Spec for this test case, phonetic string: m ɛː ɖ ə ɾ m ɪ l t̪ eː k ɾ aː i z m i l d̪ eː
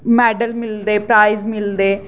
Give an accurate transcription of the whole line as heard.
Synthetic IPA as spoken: m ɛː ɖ ə l m ɪ l d̪ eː p ɾ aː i z m ɪ l d̪ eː